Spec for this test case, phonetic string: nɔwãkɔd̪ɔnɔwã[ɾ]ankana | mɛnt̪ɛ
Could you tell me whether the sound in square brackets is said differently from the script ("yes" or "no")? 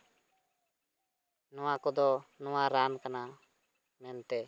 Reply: no